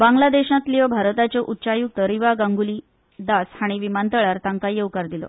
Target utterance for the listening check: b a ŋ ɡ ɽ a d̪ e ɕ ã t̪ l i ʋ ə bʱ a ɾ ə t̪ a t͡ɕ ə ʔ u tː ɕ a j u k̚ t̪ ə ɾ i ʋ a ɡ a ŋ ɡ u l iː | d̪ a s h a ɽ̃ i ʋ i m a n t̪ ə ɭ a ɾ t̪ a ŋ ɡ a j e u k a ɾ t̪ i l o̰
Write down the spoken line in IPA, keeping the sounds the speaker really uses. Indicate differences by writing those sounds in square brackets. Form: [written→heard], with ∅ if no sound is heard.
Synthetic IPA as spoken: b a ŋ ɡ [ɽ→l] a d̪ e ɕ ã t̪ l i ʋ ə bʱ a ɾ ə t̪ a t͡ɕ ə ʔ u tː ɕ a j u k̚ t̪ ə ɾ i ʋ a ɡ a ŋ ɡ u l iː | d̪ a s h a ɽ̃ i ʋ i m a n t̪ ə ɭ a ɾ t̪ a ŋ [ɡ→k] a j e u k a ɾ [t̪→d̪] i l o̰

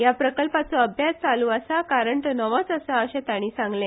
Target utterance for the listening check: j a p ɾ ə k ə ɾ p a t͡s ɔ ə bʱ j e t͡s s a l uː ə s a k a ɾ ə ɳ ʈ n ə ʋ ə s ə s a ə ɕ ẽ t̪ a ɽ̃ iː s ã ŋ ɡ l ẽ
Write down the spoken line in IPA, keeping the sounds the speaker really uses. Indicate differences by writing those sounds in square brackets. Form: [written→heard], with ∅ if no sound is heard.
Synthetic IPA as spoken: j a p ɾ ə k ə [ɾ→l] p a t͡s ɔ ə bʱ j [e→a] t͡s [s→t͡s] a l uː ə s a k a ɾ ə ɳ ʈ n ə ʋ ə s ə s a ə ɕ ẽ t̪ a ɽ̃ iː s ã ŋ ɡ l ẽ

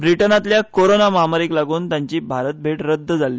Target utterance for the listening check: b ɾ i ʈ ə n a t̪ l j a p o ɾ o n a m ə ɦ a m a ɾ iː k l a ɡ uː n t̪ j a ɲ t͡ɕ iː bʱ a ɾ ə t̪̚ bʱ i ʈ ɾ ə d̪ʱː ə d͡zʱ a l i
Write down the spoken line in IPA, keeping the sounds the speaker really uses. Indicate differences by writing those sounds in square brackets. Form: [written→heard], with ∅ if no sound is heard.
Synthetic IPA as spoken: b ɾ i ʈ ə n a t̪ l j a [p→k] o ɾ o n a m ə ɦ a m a ɾ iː k l a ɡ uː n t̪ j a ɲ t͡ɕ iː bʱ a ɾ ə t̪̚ bʱ [i→e] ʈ ɾ ə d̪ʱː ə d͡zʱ a l i

